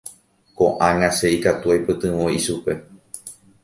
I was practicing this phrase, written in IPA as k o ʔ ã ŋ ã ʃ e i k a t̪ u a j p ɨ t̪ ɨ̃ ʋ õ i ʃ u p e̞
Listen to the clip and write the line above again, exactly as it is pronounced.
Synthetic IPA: k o ʔ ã ŋ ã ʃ e i k a t̪ u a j p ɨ t̪ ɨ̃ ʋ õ i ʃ u p e̞